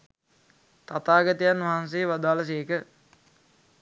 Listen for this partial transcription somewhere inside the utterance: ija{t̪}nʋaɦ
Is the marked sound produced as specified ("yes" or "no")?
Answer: no